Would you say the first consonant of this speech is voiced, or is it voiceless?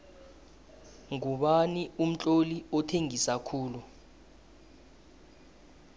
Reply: voiced